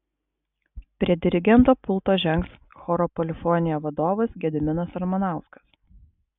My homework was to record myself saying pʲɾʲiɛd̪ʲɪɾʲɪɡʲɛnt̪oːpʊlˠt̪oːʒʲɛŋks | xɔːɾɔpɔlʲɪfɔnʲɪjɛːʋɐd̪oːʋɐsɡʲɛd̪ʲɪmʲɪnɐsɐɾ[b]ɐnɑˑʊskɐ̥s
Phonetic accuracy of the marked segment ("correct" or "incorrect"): incorrect